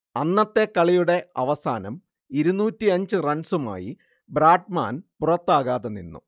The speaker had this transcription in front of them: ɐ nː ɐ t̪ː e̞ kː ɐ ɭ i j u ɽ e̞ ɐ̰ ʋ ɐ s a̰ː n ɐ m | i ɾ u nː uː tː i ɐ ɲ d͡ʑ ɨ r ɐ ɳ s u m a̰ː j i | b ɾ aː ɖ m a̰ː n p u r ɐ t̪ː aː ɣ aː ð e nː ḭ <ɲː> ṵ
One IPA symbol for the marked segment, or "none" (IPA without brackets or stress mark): nː